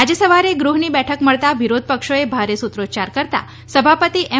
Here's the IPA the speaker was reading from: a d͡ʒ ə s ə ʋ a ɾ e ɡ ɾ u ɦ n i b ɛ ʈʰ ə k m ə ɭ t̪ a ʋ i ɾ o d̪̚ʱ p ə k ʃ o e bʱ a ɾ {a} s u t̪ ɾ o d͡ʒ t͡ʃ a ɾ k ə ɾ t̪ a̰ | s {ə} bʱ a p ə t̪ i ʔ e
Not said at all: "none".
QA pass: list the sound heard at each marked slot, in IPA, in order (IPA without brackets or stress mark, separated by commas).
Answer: e, ə